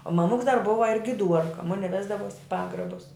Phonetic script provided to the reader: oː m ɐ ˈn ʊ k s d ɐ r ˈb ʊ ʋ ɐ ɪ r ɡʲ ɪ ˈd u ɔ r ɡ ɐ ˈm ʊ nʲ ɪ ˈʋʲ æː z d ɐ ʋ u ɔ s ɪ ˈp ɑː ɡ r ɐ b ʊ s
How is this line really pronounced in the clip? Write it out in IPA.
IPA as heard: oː m ɐ ˈm ʊ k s d ɐ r ˈb ʊ ʋ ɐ ɪ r ɡʲ ɪ ˈd u ɔ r k ɐ ˈm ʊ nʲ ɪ ˈʋʲ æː z d ɐ ʋ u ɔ s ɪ ˈp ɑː ɡ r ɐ b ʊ s